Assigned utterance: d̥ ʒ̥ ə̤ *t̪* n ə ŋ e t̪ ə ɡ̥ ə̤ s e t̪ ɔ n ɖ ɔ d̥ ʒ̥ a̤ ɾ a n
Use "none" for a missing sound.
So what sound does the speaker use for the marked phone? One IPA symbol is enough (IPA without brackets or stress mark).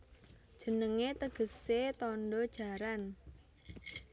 none